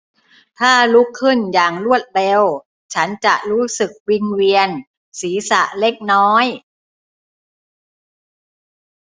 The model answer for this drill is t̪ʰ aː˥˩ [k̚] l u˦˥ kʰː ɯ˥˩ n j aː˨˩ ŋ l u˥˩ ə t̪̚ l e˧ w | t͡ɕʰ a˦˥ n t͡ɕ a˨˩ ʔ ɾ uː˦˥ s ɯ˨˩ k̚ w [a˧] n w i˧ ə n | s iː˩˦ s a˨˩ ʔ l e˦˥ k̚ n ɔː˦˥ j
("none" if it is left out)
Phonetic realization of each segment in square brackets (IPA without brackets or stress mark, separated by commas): none, i˧